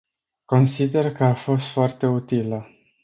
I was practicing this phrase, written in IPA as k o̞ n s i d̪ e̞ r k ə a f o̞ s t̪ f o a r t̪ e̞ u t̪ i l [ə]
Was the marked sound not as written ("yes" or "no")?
no